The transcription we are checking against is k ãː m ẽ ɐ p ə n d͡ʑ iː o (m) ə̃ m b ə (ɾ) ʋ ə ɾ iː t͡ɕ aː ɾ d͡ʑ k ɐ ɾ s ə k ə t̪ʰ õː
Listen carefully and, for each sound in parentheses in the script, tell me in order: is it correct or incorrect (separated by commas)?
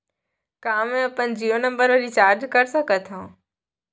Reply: incorrect, correct